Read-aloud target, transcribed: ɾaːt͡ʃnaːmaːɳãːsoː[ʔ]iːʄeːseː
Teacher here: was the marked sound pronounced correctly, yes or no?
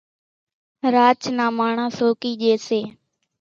no